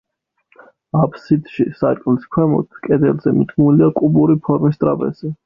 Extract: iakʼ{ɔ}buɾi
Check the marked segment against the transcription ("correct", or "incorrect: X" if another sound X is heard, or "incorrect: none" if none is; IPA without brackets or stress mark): incorrect: u